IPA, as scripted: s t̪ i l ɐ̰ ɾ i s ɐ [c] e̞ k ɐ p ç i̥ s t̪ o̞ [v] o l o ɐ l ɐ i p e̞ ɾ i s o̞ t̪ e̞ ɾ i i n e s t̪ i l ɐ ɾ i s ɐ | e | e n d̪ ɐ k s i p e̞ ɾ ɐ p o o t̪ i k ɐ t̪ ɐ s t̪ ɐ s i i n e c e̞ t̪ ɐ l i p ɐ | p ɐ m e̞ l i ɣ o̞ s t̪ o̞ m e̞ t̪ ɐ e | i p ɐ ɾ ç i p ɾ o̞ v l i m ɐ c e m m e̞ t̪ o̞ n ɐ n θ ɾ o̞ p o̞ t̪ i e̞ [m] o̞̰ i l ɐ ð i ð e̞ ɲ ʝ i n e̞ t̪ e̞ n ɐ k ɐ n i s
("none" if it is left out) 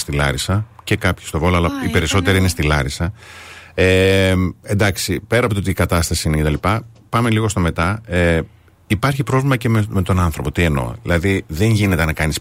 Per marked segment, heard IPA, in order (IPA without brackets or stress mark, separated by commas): c, v, n